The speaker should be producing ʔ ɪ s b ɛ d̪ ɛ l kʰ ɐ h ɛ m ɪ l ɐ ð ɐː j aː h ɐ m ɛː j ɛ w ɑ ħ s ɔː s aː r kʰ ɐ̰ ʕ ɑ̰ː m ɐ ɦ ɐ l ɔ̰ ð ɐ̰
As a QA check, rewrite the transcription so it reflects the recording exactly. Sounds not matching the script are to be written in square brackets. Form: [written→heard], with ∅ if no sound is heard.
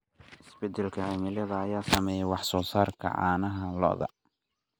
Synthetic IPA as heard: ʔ ɪ s b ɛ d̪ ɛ l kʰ ɐ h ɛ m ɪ l ɐ ð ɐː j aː [h→s] ɐ m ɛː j ɛ w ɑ ħ s ɔː s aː r kʰ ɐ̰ ʕ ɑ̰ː [m→n] ɐ ɦ ɐ l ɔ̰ ð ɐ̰